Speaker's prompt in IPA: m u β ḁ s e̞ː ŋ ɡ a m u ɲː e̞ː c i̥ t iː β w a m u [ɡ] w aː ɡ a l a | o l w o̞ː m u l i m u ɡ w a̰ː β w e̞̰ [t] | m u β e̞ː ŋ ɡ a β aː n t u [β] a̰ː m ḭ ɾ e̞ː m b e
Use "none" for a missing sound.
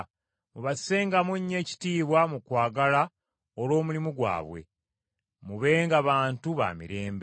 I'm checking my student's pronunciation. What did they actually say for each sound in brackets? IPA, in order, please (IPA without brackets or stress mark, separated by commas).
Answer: k, none, β